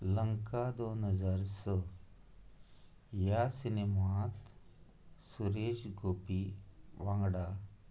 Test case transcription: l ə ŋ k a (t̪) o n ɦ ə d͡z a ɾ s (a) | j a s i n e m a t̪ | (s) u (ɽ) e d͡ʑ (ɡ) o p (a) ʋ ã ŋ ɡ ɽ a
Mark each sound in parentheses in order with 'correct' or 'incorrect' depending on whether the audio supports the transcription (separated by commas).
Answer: incorrect, incorrect, correct, incorrect, correct, incorrect